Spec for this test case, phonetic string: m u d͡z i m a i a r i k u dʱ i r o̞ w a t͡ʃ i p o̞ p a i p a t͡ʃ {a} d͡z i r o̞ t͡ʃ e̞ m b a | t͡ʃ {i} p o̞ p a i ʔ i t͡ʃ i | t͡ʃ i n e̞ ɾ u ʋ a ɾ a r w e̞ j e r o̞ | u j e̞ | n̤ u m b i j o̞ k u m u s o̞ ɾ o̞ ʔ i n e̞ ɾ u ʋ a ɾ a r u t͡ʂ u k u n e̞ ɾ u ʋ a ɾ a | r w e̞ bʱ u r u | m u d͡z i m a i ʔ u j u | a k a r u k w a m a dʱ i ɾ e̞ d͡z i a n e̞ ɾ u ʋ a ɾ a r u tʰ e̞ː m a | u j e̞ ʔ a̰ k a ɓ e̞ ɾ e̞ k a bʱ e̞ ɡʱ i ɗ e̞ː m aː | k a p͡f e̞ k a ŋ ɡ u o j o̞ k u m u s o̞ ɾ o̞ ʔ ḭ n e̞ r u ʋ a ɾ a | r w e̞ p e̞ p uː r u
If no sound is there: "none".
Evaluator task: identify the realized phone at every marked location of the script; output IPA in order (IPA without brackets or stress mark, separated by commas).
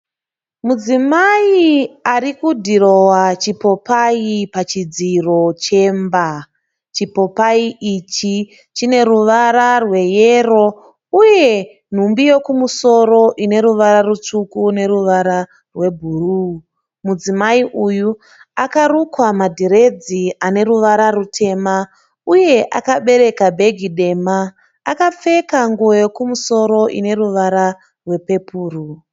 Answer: i, i